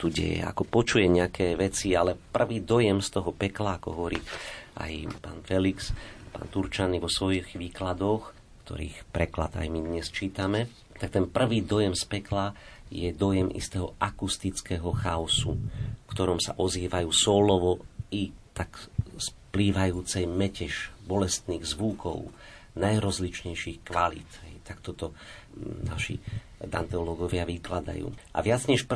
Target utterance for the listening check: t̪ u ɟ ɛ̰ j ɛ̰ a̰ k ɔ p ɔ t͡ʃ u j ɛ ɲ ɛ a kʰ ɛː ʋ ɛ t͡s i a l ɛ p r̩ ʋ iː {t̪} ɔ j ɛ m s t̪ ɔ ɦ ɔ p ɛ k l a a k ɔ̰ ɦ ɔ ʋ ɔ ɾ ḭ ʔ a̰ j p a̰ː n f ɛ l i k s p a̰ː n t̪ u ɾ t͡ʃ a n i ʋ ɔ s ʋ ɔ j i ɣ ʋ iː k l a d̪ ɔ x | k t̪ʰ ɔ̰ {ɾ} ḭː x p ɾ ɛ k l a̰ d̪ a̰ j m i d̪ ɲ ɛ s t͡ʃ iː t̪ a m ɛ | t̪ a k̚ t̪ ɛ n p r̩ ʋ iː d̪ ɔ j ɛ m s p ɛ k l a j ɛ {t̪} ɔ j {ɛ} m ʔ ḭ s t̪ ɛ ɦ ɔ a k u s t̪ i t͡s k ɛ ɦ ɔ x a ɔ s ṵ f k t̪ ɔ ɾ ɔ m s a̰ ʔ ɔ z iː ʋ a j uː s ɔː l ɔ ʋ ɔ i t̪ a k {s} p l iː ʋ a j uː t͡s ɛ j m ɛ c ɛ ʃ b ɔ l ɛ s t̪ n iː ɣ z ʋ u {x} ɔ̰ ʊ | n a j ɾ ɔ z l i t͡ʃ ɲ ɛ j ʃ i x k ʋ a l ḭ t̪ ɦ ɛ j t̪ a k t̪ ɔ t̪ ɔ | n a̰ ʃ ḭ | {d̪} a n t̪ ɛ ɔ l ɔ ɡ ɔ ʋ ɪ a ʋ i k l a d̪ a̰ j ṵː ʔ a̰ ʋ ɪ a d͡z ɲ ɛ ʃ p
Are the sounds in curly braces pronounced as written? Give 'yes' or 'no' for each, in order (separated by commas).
no, yes, no, yes, yes, no, yes